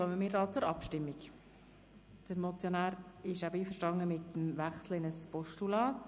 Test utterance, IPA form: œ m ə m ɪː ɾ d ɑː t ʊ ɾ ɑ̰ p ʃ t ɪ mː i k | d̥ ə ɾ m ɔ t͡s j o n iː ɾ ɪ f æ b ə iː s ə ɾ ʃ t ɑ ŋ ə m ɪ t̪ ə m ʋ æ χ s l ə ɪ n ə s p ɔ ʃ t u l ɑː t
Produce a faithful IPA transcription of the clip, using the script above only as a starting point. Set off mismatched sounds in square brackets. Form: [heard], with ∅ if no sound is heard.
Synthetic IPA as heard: œ m ə m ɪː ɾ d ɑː [t͡s] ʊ ɾ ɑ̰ p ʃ t ɪ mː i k | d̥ ə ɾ m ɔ t͡s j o n [æː] ɾ ɪ [ʃ] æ b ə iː [f] ə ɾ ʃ t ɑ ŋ ə m ɪ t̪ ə m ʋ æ χ s l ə ɪ n ə s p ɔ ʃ t u l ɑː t